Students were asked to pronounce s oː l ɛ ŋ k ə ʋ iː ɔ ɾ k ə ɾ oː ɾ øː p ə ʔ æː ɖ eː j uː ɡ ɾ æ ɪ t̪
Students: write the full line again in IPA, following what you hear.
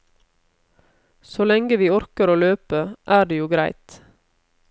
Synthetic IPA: s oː l ɛ ŋ ɡ ə ʋ iː ɔ ɾ k ə ɾ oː l øː p ə ʔ æː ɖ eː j uː ɡ ɾ æ ɪ t̪